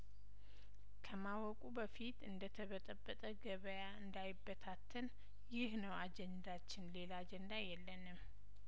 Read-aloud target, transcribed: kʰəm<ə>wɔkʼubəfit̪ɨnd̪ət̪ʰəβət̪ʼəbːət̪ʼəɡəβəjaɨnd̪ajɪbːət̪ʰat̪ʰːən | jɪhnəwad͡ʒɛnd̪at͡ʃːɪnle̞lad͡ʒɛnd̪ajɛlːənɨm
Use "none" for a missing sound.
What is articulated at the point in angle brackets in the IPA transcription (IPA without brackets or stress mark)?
a